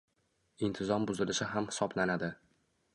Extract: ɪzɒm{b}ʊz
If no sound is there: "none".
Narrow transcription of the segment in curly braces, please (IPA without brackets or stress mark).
b